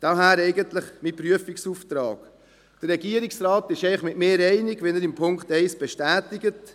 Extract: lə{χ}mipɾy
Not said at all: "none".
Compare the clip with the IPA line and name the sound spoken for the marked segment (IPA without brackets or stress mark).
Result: χ